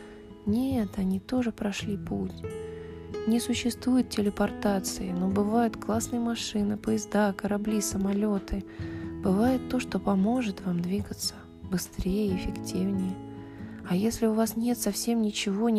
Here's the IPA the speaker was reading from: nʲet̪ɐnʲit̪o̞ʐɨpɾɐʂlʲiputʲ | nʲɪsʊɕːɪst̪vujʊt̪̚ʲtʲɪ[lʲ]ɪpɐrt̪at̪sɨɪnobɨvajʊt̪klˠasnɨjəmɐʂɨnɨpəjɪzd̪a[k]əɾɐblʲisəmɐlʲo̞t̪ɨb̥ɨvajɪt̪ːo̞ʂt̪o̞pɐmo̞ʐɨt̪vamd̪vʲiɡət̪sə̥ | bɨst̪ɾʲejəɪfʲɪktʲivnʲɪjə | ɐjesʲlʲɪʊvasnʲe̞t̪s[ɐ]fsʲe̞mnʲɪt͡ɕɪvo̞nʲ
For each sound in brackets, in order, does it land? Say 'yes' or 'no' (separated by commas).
yes, yes, yes